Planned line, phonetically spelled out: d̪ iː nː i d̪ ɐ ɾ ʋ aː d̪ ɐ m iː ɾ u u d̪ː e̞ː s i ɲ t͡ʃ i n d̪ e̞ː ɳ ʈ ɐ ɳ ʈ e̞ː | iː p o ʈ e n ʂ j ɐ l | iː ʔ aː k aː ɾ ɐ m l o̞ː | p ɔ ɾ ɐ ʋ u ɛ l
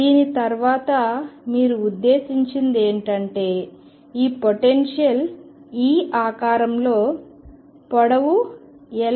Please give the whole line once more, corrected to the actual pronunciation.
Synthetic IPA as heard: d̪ iː n i t̪ ɐ ɾ ʋ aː t̪ ɐ m iː ɾ u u d̪ː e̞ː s i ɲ t͡ʃ i n d̪ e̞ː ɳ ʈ ɐ ɳ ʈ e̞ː | iː p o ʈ e n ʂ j ɐ l | iː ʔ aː k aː ɾ ɐ m l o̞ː | p ɔ ɽ ɐ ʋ u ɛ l

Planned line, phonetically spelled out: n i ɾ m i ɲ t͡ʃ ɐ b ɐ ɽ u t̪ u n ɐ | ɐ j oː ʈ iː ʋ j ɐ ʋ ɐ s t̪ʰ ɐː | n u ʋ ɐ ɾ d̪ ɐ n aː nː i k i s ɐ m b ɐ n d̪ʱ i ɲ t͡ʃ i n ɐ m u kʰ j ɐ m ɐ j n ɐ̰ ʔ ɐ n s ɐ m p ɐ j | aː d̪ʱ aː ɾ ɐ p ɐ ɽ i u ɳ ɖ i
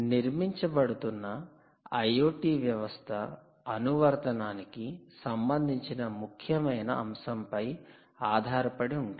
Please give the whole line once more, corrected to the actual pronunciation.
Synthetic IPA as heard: n i ɾ m i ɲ t͡ʃ ɐ b ɐ ɽ u t̪ u nː ɐ | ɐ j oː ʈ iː ʋ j ɐ ʋ ɐ s t̪ʰ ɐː | n u ʋ ɐ ɾ t̪ ɐ n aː n i k i s ɐ m b ɐ n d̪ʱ i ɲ t͡ʃ i n ɐ m u kʰ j ɐ m ɐ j n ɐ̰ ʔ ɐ m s ɐ m p ɐ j | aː d̪ʱ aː ɾ ɐ p ɐ ɽ i u ɳ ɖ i

